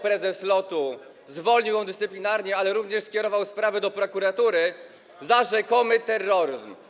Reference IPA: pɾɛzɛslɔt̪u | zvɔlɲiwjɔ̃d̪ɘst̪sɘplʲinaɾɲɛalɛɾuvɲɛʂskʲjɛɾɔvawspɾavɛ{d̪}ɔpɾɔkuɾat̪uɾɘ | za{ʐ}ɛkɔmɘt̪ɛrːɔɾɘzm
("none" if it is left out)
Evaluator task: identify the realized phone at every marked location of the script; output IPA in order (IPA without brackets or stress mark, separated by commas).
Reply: d̪, ʐ